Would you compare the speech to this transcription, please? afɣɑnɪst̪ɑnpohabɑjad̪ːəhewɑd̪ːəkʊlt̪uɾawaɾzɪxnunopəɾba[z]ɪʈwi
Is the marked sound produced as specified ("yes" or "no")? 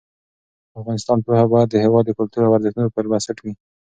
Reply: no